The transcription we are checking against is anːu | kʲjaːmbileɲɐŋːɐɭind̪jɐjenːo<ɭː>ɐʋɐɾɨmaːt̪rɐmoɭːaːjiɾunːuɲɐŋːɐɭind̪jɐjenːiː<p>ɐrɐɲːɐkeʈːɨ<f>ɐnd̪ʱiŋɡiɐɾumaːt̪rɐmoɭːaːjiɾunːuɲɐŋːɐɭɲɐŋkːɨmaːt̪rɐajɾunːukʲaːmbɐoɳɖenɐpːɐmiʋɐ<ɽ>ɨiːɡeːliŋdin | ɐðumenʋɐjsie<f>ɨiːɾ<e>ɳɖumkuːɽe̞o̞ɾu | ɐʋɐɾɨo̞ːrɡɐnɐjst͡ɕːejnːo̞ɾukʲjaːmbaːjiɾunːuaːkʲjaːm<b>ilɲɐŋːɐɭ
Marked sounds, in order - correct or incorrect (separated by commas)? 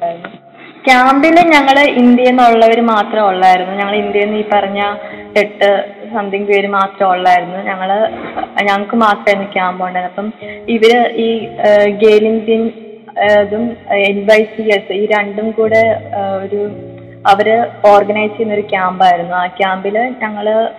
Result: correct, correct, incorrect, incorrect, incorrect, correct, correct